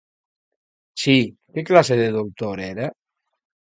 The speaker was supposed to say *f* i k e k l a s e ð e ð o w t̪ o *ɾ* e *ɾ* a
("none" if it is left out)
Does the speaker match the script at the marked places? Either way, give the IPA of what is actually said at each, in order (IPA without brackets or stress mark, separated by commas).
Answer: s, ɾ, ɾ